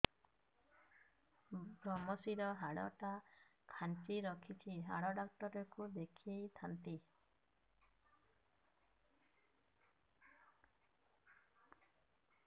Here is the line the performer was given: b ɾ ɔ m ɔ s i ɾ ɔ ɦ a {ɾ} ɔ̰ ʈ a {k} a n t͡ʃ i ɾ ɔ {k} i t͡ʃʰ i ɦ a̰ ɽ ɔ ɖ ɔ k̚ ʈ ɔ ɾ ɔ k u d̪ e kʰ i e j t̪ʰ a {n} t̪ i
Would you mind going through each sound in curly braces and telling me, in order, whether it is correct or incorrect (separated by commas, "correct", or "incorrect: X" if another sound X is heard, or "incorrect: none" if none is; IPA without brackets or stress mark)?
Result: incorrect: ɽ, incorrect: kʰ, incorrect: kʰ, correct